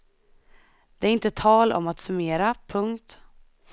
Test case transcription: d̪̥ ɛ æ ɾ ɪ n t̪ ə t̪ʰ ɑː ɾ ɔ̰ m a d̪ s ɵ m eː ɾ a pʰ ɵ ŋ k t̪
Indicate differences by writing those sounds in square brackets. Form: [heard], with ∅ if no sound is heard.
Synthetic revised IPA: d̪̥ ɛ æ ɾ ɪ n t̪ ə t̪ʰ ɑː [l] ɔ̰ m a [t̪] s ɵ m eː ɾ a pʰ ɵ ŋ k t̪